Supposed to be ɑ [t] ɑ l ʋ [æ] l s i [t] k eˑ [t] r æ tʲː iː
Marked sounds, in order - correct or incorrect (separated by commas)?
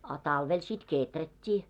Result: correct, incorrect, correct, correct